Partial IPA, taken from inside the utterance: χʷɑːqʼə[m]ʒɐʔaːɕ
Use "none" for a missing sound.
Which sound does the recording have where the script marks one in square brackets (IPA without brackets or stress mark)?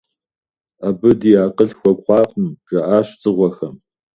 m